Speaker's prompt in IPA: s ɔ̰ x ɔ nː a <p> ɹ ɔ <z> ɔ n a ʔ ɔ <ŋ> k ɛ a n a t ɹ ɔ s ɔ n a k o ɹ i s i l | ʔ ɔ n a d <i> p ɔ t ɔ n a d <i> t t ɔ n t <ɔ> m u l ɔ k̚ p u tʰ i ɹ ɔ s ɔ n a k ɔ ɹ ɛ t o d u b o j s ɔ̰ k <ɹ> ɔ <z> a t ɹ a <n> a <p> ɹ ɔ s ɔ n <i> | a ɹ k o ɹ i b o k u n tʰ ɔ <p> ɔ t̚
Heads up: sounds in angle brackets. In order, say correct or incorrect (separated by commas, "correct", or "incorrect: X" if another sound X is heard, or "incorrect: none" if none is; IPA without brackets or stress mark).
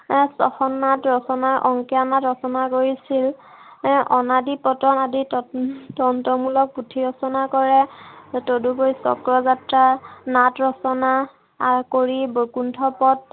incorrect: t, incorrect: s, correct, correct, correct, correct, correct, correct, correct, incorrect: t, incorrect: a, correct